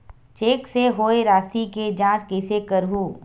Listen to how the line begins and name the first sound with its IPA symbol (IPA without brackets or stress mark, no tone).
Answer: t͡ʃ